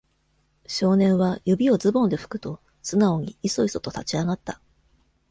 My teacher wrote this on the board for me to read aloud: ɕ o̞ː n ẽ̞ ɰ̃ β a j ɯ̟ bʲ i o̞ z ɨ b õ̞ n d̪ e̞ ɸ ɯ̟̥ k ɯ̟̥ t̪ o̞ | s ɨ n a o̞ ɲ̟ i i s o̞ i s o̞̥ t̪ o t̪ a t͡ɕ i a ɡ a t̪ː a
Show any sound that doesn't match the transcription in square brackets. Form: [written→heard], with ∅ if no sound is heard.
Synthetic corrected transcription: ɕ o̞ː n ẽ̞ ɰ̃ β a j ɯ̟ bʲ i o̞ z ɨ b õ̞ n d̪ e̞ ɸ ɯ̟̥ k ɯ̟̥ t̪ o̞ | s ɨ n a o̞ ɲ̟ i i s o̞ i s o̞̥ t̪ o t̪ a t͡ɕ i a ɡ a t̪ː a